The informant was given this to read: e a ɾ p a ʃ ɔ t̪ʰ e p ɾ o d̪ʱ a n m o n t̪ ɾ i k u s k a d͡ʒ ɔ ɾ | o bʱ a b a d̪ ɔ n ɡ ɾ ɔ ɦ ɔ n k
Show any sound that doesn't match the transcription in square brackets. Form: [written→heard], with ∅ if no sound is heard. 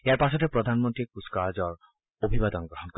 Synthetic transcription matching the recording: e a ɾ p a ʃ ɔ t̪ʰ e p ɾ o d̪ʱ a n m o n t̪ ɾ i k u s k a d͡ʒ ɔ ɾ | o bʱ [a→i] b a d̪ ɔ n ɡ ɾ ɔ ɦ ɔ n k